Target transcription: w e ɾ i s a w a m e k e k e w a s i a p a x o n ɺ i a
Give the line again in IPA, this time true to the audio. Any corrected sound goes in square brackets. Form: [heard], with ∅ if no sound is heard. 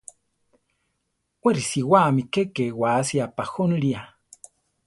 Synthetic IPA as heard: w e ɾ i s [i] w a m [i] k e k e w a s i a p a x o n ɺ i a